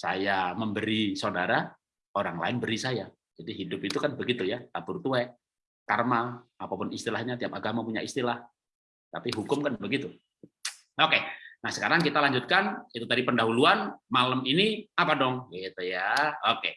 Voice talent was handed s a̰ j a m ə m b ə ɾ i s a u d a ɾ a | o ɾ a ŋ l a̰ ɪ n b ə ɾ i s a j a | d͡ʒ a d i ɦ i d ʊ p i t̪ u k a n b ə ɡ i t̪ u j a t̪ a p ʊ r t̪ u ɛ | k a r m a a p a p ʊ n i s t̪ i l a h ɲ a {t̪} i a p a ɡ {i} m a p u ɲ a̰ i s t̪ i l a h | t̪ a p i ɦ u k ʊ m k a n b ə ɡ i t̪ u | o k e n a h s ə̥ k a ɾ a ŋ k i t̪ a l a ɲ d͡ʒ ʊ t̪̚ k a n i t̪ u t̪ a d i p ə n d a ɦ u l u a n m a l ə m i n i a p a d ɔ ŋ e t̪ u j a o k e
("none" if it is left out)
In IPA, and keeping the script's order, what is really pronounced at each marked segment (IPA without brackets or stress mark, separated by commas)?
t̪, a